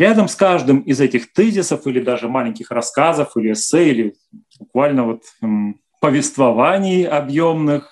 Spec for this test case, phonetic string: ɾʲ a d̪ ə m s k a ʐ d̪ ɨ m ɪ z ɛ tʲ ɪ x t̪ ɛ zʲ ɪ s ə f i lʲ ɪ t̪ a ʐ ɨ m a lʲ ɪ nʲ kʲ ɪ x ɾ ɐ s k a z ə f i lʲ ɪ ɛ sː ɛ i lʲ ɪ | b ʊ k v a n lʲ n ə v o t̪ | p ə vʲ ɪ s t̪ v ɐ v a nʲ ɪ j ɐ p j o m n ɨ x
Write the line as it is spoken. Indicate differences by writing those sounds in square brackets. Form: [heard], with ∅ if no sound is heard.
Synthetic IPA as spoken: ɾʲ a d̪ ə m s k a ʐ d̪ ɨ m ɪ z ɛ tʲ ɪ x t̪ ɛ zʲ ɪ s ə f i lʲ ɪ [d̪] a ʐ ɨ m a lʲ ɪ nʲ kʲ ɪ x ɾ ɐ s k a z ə f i lʲ ɪ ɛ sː ɛ i lʲ ɪ | b ʊ k v a [∅] lʲ n ə v o t̪ | p ə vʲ ɪ s t̪ v ɐ v a nʲ ɪ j ɐ [b] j o m n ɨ x